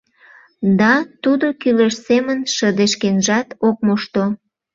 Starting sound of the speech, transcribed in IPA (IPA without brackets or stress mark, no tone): d̪